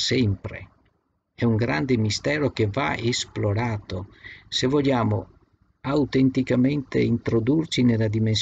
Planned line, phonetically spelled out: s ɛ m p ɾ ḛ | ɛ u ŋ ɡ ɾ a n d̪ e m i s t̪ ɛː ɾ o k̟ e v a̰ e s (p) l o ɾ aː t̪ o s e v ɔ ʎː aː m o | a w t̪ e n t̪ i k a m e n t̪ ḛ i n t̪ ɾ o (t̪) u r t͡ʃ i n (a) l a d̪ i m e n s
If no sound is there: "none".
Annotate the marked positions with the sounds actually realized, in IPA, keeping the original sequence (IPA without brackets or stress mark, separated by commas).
p, d̪, e